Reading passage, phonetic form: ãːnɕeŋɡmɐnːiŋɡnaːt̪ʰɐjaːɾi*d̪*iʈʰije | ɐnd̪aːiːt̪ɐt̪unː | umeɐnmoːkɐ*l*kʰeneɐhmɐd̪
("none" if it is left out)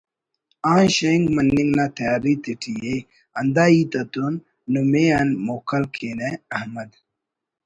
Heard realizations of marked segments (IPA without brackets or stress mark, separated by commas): t̪, l